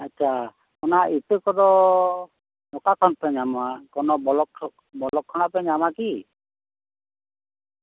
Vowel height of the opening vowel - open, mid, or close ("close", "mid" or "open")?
open